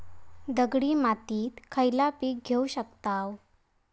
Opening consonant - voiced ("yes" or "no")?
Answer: yes